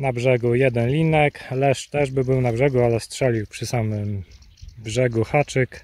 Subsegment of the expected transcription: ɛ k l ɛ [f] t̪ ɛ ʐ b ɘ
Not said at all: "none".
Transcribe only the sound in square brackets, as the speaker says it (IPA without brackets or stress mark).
ʂ